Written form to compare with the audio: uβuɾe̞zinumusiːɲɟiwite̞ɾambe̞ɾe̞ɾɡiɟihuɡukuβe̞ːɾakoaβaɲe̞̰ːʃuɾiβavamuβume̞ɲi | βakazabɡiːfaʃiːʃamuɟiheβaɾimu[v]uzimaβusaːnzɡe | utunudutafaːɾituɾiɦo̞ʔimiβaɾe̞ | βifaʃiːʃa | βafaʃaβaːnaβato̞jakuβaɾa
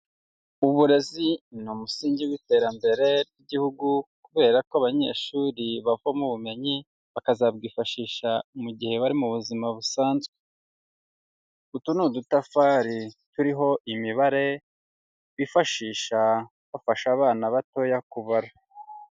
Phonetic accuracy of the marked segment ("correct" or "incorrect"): incorrect